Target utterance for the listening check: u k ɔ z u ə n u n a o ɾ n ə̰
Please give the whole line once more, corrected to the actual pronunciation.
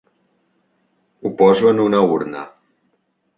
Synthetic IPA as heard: u p ɔ z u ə n u n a u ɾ n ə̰